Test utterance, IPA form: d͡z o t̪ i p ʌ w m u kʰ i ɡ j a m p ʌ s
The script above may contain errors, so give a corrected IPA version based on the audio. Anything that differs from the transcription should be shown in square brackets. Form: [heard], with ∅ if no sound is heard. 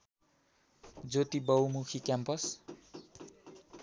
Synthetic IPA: d͡z o t̪ i [b] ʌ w m u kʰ i [k] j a m p ʌ s

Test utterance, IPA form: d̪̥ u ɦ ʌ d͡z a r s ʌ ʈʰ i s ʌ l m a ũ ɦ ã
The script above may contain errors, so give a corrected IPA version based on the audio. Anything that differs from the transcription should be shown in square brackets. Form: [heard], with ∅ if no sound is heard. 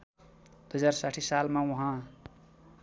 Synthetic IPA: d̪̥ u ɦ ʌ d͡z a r s [a] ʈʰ i s [a] l m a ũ ɦ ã

